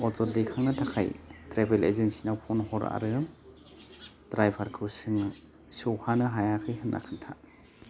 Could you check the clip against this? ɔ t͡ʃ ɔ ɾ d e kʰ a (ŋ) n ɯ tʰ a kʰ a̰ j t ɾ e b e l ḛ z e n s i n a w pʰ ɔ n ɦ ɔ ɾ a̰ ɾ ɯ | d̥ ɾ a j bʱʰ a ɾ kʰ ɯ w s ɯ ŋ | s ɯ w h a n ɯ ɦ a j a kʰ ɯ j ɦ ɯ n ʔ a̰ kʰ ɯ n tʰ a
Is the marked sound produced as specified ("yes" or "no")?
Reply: yes